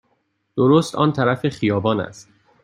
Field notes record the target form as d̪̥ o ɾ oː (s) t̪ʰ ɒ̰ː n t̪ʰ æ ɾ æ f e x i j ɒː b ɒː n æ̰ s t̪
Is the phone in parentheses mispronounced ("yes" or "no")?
no